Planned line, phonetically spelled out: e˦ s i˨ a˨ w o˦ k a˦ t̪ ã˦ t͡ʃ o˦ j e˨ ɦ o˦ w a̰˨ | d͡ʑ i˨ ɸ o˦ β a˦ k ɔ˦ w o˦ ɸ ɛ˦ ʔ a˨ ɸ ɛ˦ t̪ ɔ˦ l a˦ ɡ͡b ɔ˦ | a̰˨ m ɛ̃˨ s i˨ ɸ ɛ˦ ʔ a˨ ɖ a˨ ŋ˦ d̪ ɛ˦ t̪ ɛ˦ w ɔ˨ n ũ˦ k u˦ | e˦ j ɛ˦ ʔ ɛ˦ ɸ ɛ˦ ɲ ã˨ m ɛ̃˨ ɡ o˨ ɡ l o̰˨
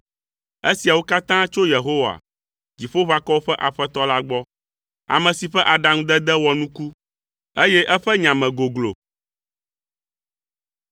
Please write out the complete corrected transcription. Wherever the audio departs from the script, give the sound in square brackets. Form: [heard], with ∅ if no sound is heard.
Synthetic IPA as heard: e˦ s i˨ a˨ w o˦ k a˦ t̪ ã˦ t͡ʃ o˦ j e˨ ɦ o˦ w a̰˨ | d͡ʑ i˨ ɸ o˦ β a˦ k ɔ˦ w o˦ ɸ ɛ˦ ʔ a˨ ɸ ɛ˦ t̪ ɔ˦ l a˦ ɡ͡b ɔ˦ | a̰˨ m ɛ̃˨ s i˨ ɸ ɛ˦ ʔ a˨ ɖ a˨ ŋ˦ d̪ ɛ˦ [d̪] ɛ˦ w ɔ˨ n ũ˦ k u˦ | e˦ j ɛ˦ ʔ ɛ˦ ɸ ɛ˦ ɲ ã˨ m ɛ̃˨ ɡ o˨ ɡ l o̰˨

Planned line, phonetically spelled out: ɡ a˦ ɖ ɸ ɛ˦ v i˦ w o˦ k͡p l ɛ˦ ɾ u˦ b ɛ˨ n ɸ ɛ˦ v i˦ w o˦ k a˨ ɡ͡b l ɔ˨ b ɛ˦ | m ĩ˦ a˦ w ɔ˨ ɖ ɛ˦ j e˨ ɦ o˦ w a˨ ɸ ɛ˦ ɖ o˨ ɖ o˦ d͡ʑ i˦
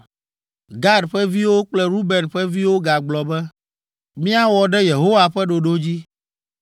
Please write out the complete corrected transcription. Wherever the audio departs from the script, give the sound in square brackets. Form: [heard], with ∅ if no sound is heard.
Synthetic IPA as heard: ɡ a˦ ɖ ɸ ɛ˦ v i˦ w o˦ k͡p l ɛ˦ ɾ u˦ b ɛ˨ n ɸ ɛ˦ v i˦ w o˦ [ɡ] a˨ ɡ͡b l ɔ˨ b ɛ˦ | m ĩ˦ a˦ w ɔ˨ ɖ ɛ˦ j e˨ ɦ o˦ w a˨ ɸ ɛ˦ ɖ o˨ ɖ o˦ d͡ʑ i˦

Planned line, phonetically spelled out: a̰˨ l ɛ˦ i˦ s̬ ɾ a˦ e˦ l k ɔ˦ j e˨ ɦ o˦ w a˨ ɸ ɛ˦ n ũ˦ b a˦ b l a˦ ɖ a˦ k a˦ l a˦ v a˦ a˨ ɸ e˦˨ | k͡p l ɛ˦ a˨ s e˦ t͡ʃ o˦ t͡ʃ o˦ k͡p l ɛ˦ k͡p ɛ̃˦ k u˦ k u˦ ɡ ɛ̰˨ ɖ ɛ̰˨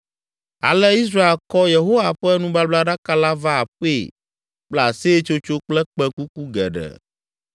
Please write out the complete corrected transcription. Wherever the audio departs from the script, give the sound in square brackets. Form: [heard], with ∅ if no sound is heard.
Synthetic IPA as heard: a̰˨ l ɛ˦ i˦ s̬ ɾ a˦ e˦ l k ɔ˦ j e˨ ɦ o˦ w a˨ ɸ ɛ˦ n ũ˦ b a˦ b l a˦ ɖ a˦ k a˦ l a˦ v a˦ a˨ ɸ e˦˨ | k͡p l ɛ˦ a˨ s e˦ t͡ʃ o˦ t͡ʃ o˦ k͡p l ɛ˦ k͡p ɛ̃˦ k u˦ k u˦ ɡ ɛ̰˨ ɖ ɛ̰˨

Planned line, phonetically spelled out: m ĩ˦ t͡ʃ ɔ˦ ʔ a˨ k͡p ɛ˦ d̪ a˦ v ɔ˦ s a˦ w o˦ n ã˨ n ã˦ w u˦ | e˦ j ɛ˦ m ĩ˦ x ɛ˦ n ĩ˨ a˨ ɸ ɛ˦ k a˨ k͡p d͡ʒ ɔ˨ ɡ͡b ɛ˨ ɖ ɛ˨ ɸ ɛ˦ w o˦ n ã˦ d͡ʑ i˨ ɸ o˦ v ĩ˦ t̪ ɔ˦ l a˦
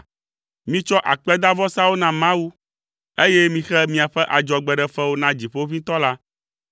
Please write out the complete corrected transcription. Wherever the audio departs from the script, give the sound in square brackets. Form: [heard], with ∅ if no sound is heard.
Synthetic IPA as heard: m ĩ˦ t͡ʃ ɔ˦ ʔ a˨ k͡p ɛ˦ d̪ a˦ v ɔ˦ s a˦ w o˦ n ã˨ [m] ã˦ w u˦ | e˦ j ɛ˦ m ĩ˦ x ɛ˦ [m] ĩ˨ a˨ ɸ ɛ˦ [ʔ] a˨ [∅] d͡ʒ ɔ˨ ɡ͡b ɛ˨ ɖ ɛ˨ ɸ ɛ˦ w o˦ n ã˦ d͡ʑ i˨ ɸ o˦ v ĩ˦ t̪ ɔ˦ l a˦

